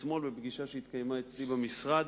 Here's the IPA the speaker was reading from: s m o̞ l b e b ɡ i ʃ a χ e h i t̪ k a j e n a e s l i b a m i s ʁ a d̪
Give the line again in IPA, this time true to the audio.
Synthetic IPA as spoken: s m o̞ l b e b ɡ i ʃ a ʃ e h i t̪ k a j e m a e t͡s l i b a m i s ʁ a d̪